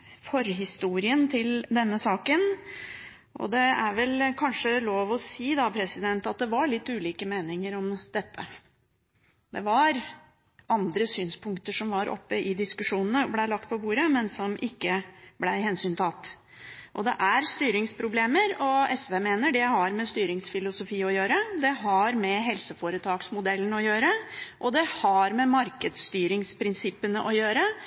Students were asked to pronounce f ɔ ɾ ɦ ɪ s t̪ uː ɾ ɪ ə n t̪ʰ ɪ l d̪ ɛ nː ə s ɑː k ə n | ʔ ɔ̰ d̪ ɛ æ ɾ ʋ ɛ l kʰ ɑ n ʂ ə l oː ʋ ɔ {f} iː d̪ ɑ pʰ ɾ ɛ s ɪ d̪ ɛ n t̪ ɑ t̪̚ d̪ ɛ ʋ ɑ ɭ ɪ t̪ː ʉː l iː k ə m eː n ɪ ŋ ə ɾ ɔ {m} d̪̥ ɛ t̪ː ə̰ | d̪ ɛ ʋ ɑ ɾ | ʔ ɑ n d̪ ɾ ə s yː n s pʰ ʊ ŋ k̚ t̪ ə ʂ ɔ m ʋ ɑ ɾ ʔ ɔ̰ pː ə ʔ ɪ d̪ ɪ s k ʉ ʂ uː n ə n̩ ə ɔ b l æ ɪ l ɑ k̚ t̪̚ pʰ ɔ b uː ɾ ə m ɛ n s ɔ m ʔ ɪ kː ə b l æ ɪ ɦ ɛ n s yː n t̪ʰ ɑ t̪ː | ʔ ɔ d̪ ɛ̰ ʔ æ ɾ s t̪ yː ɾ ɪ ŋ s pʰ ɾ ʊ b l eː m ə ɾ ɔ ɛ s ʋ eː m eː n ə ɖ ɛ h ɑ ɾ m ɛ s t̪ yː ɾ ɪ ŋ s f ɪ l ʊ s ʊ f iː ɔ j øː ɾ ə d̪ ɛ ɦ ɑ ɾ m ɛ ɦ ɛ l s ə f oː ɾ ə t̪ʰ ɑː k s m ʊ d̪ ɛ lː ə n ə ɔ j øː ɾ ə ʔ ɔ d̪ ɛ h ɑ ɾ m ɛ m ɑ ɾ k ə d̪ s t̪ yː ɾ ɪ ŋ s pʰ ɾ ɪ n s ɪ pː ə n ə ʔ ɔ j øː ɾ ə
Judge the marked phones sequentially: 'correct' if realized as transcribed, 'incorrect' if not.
incorrect: s, correct

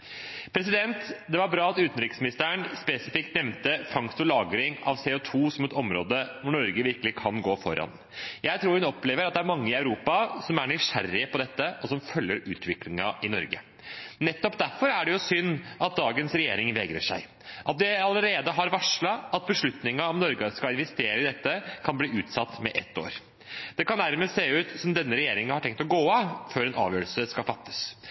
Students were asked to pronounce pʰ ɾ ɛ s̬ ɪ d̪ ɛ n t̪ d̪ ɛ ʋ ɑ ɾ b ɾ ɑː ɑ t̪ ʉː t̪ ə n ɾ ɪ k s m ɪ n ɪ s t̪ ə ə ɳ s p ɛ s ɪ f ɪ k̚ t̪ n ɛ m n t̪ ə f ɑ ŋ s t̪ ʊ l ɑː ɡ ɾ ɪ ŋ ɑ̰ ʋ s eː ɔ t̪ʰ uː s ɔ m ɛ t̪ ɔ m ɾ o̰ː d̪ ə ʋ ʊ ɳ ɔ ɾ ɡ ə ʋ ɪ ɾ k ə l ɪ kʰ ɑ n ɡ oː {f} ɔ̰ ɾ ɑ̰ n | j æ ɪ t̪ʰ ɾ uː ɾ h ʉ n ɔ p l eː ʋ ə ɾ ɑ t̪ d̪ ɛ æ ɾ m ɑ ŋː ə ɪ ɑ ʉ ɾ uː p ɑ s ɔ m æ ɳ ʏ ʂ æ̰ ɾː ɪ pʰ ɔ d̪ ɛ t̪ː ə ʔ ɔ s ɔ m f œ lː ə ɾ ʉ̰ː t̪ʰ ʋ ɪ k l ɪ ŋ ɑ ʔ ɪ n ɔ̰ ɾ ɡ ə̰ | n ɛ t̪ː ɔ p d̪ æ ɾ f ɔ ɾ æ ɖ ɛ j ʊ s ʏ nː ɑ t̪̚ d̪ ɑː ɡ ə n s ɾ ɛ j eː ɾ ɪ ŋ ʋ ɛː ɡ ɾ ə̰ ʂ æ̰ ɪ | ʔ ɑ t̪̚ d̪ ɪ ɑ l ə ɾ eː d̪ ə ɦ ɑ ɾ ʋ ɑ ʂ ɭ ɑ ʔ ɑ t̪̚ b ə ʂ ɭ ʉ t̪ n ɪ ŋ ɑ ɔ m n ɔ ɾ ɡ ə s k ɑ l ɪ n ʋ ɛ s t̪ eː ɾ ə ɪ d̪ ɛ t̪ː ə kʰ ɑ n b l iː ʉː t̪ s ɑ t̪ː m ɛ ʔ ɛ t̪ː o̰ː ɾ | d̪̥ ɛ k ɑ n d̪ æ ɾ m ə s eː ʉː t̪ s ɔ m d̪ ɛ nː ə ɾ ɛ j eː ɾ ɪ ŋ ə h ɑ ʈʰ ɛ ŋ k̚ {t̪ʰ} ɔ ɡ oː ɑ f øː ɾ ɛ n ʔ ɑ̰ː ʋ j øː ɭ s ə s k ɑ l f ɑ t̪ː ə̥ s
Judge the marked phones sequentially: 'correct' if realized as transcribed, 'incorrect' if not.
correct, incorrect: t̪

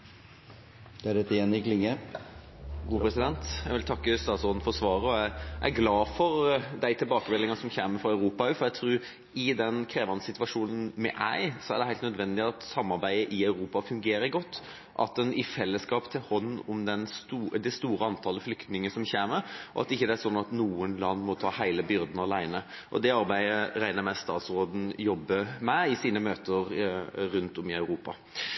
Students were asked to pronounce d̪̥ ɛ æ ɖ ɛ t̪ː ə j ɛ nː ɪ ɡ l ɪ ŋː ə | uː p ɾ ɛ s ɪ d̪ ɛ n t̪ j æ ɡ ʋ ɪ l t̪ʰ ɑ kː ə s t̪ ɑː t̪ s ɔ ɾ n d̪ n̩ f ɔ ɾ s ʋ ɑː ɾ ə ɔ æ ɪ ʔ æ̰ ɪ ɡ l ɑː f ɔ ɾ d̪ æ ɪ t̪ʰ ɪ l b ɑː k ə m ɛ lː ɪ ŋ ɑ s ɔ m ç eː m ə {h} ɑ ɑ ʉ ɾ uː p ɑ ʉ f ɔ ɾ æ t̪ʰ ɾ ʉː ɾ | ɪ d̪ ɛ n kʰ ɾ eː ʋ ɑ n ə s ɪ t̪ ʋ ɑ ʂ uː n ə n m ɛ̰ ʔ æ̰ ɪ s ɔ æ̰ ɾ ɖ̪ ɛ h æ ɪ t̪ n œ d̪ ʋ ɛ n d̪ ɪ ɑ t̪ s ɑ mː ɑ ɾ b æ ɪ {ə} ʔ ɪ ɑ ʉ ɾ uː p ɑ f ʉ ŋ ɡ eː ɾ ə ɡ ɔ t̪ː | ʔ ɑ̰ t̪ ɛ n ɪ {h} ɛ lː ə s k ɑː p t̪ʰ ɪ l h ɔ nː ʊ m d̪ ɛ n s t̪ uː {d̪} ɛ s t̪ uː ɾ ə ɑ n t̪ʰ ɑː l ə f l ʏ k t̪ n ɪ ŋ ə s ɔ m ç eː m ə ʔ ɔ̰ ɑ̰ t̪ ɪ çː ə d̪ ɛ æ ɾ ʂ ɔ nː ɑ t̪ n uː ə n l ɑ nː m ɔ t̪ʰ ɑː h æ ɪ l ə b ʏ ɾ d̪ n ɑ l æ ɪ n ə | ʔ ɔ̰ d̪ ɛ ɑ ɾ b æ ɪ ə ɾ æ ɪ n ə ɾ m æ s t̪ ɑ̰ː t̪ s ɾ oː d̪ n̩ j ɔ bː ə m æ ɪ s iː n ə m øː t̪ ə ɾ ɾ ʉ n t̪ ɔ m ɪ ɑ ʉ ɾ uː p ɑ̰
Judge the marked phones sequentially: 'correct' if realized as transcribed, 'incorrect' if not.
incorrect: f, correct, incorrect: f, correct

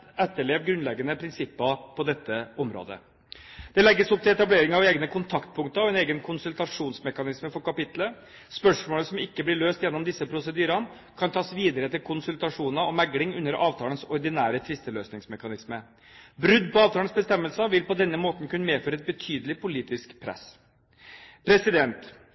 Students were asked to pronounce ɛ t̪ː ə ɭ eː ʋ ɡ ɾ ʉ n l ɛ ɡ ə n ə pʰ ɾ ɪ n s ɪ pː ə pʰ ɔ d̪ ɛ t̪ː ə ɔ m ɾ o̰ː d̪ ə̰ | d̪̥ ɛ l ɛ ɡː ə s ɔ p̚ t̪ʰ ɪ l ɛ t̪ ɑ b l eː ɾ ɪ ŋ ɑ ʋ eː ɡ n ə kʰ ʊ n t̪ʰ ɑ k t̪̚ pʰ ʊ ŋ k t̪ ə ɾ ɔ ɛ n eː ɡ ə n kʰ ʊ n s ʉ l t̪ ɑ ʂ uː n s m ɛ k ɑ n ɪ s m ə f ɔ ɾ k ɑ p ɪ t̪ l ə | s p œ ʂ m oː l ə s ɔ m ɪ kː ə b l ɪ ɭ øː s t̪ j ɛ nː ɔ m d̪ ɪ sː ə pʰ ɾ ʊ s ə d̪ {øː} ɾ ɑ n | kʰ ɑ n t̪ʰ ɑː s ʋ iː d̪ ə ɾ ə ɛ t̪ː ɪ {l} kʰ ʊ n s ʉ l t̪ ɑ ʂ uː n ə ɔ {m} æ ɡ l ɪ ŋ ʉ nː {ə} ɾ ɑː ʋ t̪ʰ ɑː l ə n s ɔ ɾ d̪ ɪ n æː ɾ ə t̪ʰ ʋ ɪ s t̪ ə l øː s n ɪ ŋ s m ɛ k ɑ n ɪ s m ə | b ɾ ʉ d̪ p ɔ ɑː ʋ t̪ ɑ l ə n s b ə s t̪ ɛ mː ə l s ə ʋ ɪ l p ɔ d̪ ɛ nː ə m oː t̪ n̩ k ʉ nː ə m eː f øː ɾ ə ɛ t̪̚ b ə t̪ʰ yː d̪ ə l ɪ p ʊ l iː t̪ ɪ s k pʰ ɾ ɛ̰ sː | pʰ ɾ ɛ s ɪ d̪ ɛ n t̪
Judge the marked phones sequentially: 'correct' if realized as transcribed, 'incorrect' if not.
incorrect: yː, correct, correct, correct

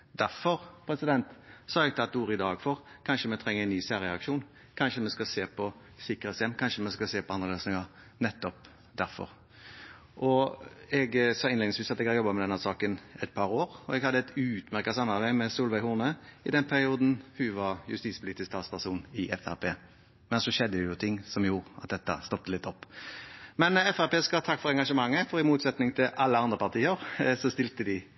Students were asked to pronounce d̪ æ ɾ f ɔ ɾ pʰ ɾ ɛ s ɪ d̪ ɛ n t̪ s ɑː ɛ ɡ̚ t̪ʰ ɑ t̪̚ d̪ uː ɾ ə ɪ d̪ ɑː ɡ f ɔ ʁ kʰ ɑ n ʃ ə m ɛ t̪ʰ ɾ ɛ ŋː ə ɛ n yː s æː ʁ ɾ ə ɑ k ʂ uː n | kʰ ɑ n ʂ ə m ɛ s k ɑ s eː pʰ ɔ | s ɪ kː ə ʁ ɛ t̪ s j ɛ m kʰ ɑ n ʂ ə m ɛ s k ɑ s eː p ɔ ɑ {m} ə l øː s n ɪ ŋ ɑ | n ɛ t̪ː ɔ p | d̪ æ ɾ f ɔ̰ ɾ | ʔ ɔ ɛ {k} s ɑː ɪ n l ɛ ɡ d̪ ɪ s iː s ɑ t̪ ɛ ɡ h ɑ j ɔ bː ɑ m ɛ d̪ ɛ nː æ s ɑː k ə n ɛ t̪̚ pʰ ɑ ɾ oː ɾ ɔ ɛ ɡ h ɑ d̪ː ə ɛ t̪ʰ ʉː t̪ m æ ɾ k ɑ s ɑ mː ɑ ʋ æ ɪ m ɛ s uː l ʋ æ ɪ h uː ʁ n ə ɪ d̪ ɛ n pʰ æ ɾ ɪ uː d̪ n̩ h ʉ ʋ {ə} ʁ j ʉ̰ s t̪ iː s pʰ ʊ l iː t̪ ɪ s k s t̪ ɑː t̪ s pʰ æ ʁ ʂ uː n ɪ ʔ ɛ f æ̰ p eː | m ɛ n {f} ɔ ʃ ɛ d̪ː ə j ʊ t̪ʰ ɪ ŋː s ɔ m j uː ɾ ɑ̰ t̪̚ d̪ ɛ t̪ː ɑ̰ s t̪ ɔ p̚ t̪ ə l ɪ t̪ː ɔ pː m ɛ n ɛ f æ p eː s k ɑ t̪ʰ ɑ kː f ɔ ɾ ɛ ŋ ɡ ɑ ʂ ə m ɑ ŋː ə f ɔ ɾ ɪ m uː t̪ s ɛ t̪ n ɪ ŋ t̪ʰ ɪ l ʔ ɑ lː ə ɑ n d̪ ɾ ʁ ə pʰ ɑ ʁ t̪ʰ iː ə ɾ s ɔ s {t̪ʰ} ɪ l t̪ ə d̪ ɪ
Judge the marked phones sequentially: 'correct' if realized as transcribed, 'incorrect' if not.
incorrect: n, incorrect: ɡ, incorrect: ɑ, incorrect: s, incorrect: t̪

